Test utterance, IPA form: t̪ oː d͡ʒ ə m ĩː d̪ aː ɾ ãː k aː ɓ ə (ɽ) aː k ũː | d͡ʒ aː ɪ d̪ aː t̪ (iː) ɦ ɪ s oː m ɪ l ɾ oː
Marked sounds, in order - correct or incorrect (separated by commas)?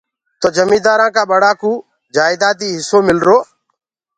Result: correct, correct